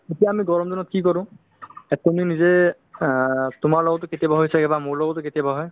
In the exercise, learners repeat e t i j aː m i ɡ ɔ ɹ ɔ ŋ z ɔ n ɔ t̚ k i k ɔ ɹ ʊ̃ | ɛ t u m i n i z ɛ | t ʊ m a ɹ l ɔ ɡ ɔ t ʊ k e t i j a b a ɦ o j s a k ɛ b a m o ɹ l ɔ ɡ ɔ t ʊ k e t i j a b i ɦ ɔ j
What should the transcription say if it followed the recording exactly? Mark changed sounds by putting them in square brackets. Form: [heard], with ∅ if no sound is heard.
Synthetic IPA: e t i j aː m i ɡ ɔ ɹ ɔ [m] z ɔ n ɔ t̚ k i k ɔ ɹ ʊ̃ | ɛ t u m i n i z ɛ | t ʊ m a ɹ l ɔ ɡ ɔ t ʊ k e t i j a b a ɦ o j s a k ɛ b a m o ɹ l ɔ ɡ ɔ t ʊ k e t i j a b [a] ɦ ɔ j